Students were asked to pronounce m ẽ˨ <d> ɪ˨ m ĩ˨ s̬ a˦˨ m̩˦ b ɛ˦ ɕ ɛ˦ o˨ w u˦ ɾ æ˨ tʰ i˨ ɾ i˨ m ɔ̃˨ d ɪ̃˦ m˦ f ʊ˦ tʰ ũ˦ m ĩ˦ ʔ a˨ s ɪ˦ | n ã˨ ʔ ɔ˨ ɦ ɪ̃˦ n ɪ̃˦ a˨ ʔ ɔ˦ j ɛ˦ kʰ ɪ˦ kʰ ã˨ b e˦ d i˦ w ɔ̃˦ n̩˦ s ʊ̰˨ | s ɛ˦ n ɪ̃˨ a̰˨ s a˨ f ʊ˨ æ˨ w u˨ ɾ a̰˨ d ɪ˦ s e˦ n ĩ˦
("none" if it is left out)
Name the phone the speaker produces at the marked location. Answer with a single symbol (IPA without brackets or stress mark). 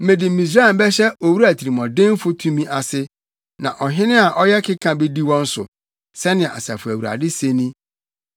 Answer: d